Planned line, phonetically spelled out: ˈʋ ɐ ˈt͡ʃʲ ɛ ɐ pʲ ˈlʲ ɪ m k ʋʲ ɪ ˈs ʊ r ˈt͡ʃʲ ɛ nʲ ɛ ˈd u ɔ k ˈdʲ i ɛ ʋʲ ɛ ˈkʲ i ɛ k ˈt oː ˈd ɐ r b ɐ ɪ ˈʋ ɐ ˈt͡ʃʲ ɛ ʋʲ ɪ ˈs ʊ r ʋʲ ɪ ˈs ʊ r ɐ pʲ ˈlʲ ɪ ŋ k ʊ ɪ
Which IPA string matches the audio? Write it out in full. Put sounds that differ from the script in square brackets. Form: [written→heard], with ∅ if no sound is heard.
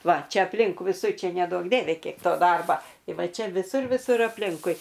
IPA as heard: ˈʋ ɐ ˈt͡ʃʲ ɛ ɐ pʲ ˈlʲ ɪ [m→ŋ] k ʋʲ ɪ ˈs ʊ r ˈt͡ʃʲ ɛ nʲ ɛ ˈd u ɔ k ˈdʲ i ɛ ʋʲ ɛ ˈkʲ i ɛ k ˈt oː ˈd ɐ r b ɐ ɪ ˈʋ ɐ ˈt͡ʃʲ ɛ ʋʲ ɪ ˈs ʊ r ʋʲ ɪ ˈs ʊ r ɐ pʲ ˈlʲ ɪ ŋ k ʊ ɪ